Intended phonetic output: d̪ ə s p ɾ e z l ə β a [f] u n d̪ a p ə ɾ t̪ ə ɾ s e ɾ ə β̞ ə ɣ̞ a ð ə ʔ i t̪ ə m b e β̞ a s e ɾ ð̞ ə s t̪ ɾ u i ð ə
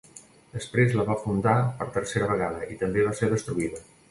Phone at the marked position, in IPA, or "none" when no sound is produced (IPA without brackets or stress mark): f